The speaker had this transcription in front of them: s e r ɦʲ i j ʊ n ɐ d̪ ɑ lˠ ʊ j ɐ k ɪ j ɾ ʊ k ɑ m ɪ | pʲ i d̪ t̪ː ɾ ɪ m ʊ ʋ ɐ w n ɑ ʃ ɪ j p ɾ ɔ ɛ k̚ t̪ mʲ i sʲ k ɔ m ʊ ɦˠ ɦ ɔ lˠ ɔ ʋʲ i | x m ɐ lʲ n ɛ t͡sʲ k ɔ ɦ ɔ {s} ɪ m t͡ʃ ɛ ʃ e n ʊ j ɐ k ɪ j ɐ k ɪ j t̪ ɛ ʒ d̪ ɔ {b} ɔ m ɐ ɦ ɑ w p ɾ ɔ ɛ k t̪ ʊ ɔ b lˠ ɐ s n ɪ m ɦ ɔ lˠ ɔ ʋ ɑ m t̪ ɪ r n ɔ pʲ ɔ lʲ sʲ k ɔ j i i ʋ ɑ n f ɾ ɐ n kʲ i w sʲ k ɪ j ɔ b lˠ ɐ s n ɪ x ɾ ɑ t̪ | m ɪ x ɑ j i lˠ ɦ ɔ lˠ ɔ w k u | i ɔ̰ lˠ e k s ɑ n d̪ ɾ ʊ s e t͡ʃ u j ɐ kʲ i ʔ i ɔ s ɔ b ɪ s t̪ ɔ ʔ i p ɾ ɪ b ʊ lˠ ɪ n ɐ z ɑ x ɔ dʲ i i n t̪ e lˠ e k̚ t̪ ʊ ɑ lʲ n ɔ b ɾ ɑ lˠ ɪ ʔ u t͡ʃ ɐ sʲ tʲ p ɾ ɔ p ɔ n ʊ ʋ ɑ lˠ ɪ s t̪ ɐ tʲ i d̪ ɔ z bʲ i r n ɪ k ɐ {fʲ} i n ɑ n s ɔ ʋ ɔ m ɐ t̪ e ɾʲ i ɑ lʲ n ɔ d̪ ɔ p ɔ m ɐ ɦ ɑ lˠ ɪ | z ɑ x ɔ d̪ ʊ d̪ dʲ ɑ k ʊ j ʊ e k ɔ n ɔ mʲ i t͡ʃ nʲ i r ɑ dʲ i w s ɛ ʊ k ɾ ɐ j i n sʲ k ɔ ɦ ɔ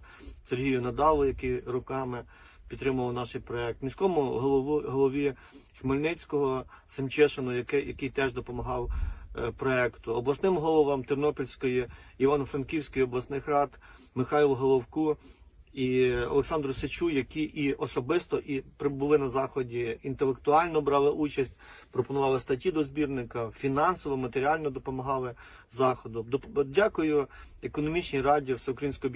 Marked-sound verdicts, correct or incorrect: correct, incorrect, correct

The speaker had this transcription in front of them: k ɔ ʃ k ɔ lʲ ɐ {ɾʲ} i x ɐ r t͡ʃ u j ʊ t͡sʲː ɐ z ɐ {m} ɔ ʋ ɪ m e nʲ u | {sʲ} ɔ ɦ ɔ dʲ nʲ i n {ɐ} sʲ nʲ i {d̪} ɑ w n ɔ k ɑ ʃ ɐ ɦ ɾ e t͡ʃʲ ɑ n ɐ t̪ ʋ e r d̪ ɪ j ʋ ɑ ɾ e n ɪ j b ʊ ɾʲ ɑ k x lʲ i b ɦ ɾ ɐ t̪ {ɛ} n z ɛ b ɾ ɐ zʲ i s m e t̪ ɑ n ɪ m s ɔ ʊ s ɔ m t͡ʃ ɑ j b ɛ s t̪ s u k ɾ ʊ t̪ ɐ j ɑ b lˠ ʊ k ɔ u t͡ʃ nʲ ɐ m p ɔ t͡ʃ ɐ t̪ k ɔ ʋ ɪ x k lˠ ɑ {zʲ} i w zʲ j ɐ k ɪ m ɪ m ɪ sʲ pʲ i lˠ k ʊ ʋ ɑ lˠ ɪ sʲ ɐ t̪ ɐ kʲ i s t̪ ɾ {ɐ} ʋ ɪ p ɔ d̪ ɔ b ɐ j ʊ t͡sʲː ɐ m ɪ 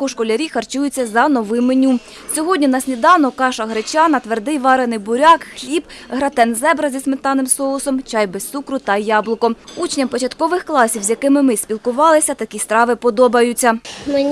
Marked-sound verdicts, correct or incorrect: correct, incorrect, correct, correct, correct, correct, incorrect, incorrect

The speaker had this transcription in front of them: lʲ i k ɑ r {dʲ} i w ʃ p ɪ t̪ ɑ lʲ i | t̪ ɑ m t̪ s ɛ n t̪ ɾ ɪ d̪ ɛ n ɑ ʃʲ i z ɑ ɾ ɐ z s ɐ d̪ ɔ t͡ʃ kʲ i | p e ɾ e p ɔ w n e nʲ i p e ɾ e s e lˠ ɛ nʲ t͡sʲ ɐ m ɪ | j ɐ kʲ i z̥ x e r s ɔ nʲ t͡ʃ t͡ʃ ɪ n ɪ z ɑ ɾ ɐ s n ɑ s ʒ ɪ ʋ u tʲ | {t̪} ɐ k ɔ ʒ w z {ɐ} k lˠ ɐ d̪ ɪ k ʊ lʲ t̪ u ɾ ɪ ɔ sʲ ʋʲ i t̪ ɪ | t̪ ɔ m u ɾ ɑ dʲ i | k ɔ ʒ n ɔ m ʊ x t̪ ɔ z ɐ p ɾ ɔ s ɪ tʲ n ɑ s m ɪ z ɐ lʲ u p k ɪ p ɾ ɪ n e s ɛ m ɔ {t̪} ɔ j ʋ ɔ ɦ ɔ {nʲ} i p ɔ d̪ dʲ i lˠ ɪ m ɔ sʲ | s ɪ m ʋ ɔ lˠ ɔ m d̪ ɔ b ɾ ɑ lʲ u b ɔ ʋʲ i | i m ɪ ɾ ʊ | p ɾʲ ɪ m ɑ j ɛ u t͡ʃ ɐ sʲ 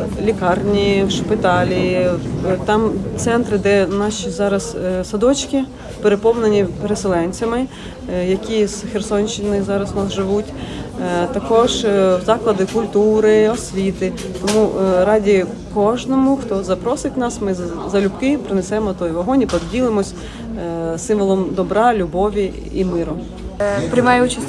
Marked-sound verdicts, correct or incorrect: incorrect, correct, incorrect, correct, correct

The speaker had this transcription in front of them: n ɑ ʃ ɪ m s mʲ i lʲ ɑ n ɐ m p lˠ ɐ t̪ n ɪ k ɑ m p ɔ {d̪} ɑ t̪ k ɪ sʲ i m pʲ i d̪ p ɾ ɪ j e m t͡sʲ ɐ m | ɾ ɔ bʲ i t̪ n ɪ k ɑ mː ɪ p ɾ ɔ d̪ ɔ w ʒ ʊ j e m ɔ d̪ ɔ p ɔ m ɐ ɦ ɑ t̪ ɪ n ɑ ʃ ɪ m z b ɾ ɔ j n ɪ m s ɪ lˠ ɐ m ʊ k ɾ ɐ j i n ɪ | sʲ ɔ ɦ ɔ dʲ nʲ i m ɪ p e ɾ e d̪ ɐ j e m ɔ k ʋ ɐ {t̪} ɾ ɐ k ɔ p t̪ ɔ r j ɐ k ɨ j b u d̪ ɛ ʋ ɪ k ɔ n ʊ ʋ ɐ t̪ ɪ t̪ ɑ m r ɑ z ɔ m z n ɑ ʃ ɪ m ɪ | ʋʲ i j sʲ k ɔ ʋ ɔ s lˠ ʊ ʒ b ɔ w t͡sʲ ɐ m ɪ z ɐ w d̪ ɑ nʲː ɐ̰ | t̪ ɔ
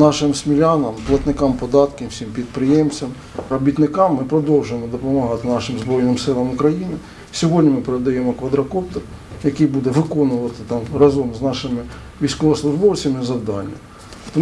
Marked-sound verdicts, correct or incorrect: correct, incorrect

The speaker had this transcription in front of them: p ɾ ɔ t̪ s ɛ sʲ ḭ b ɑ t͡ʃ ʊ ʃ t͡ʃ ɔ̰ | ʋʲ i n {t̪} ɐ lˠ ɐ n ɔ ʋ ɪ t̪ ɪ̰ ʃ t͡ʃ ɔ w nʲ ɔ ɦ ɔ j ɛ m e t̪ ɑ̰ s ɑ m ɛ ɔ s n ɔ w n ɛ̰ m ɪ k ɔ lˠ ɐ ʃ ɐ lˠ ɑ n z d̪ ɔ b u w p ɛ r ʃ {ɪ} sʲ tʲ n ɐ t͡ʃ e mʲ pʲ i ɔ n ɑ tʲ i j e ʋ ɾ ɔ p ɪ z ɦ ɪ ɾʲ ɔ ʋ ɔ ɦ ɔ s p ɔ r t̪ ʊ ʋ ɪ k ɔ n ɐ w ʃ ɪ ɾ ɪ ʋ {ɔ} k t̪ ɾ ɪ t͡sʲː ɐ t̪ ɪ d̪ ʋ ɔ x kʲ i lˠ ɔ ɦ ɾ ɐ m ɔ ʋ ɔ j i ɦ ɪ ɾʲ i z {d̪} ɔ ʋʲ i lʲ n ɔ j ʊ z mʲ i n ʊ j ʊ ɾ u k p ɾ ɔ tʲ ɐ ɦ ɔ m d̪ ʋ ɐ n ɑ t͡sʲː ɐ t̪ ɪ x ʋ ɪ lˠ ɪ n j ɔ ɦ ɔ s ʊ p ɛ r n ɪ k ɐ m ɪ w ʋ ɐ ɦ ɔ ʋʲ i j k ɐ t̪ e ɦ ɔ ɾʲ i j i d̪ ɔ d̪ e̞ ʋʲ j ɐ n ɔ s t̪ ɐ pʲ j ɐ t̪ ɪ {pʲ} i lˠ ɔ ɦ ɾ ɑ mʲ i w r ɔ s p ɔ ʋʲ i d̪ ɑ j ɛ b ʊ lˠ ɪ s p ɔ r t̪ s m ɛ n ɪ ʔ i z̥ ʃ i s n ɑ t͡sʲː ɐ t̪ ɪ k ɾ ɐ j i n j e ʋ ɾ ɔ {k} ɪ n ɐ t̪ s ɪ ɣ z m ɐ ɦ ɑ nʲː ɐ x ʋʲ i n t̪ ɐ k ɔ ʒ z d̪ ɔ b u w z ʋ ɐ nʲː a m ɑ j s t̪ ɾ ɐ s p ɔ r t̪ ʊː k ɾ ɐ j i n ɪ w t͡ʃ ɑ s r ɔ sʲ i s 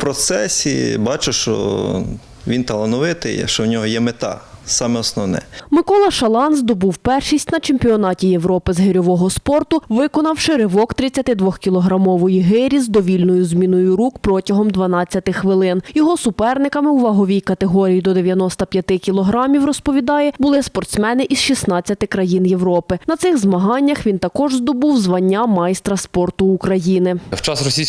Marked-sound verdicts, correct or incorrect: correct, incorrect, correct, correct, incorrect, incorrect

